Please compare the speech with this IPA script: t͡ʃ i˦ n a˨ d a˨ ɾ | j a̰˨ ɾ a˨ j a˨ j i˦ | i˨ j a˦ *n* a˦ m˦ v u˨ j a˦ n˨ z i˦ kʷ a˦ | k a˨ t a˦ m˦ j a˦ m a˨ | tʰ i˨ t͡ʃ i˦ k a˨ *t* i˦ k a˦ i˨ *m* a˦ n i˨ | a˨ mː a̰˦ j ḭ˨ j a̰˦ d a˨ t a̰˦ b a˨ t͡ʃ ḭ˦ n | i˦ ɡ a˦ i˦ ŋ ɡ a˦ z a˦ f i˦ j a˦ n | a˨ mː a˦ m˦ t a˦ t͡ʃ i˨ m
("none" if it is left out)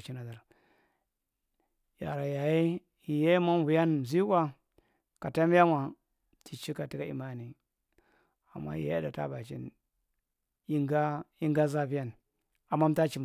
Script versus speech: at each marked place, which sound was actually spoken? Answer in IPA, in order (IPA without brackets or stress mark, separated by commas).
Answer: m, t, m